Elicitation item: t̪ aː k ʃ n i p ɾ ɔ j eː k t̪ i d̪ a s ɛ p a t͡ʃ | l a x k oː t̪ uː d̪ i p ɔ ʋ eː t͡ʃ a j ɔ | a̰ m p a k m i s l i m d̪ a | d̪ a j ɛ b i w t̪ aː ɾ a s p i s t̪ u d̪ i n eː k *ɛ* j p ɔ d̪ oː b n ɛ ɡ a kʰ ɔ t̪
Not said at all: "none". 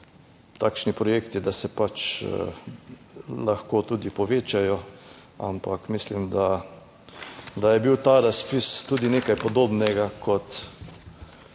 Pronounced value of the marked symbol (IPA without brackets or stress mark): a